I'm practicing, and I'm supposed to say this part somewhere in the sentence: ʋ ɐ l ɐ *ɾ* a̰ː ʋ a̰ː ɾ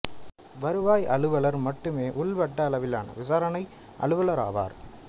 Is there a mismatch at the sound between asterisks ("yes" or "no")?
no